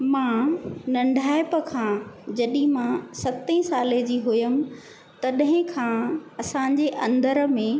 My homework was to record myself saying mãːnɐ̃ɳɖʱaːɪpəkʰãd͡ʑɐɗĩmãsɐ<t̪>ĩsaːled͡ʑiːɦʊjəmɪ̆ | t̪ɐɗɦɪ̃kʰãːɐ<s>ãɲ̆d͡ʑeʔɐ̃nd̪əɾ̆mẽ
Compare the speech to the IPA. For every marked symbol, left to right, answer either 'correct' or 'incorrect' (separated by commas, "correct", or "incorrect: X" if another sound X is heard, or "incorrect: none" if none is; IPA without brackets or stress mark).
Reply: correct, correct